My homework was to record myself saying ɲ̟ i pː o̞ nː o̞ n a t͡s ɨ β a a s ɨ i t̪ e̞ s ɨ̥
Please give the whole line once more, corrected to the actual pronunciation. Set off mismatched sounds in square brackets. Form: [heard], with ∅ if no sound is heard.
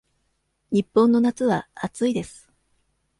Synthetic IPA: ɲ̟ i pː [õ̞] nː o̞ n a t͡s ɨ β a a [t͡s] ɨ i [d̪] e̞ s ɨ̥